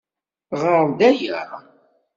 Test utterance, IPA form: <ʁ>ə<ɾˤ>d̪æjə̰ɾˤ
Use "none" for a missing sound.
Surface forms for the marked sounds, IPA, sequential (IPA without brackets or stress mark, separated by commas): ʁ, ɾˤ